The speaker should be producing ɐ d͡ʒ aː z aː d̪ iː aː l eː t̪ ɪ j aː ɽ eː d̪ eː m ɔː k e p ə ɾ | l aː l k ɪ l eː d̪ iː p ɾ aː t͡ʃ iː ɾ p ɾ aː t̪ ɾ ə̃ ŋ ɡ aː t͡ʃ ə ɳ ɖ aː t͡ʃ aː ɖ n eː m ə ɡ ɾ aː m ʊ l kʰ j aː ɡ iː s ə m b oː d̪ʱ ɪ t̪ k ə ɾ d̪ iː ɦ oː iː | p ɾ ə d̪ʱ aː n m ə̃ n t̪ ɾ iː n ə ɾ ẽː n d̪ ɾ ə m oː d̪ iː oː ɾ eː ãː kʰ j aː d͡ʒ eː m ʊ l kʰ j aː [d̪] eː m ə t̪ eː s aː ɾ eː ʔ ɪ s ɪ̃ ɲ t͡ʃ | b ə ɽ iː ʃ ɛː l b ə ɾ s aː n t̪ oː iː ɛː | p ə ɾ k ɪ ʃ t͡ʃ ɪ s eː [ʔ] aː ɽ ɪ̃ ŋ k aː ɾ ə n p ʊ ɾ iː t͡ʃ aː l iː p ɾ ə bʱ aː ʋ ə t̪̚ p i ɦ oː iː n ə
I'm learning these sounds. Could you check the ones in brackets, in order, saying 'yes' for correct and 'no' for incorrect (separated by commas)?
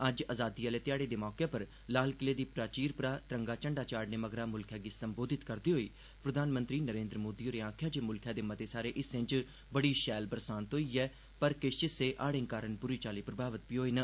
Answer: yes, yes